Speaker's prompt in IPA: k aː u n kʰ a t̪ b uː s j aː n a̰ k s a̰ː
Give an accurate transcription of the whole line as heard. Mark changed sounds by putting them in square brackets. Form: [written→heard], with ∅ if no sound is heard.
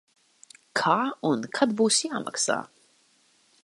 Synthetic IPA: [k→kʰ] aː u n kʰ a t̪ b uː s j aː [n→m] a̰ k s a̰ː